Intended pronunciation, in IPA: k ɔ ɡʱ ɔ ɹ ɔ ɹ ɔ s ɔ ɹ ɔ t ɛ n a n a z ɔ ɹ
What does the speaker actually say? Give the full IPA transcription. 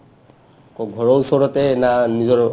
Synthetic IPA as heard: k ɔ ɡʱ ɔ ɹ ɔ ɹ u s ɔ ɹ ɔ t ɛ n a n i z ɔ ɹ